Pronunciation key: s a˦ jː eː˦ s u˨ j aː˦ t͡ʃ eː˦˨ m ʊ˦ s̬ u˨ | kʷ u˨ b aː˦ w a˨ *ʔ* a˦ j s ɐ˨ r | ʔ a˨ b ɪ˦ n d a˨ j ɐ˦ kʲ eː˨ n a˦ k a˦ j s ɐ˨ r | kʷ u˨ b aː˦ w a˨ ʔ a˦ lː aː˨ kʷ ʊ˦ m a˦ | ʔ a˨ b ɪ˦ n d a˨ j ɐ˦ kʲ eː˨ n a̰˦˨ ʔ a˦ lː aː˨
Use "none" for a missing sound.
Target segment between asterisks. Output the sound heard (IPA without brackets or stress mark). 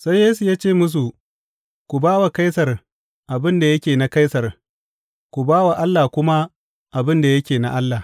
k